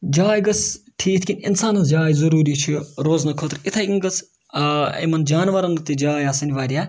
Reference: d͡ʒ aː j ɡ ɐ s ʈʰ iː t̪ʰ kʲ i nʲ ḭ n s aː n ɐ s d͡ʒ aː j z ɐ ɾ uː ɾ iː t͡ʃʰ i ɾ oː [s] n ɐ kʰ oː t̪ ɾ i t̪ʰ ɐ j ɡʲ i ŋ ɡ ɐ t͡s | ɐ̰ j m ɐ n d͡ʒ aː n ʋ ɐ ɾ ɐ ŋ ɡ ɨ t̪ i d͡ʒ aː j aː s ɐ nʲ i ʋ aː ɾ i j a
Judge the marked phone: incorrect: z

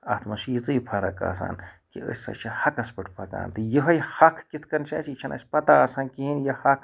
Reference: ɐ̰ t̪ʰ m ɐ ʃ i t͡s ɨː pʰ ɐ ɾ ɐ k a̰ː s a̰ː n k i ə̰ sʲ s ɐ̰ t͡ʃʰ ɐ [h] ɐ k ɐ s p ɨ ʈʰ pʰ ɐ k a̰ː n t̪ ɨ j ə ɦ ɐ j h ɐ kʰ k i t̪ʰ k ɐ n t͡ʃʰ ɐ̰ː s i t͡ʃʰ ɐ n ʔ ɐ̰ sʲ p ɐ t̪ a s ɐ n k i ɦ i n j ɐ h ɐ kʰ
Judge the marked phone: correct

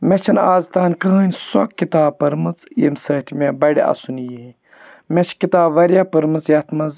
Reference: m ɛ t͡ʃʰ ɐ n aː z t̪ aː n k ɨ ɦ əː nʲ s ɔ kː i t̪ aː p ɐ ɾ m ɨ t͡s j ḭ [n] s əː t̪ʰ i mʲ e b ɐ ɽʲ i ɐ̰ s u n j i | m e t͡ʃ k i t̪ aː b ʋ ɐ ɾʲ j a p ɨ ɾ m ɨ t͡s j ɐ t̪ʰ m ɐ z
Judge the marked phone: incorrect: m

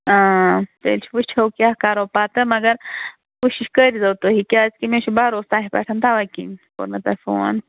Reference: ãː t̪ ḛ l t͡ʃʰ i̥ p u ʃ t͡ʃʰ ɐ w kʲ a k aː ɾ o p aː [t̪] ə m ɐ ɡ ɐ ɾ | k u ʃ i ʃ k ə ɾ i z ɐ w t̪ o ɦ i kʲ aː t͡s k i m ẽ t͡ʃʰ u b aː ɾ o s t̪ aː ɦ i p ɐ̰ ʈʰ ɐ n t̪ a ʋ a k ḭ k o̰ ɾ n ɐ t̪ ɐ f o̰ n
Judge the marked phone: correct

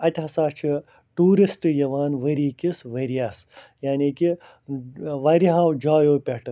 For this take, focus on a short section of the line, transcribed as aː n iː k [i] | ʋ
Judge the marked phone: correct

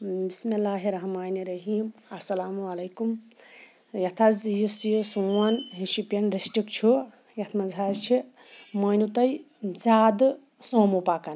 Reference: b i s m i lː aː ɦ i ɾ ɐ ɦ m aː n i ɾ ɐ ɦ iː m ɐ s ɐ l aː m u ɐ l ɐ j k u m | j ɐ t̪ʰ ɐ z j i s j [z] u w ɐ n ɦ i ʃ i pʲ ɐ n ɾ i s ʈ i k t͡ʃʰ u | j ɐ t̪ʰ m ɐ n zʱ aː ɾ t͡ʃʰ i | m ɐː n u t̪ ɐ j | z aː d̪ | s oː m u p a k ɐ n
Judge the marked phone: incorrect: s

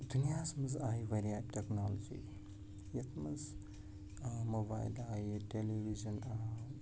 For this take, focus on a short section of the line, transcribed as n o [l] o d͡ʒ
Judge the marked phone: correct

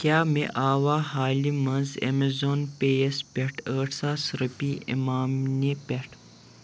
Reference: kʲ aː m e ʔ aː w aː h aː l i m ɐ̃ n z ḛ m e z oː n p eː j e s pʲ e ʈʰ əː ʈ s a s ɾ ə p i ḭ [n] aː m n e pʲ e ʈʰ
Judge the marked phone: incorrect: m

